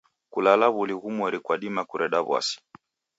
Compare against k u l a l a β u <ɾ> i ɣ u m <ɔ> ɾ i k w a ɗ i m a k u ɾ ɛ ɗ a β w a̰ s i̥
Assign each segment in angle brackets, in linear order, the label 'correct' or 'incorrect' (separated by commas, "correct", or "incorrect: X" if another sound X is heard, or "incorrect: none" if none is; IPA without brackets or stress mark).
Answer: incorrect: l, correct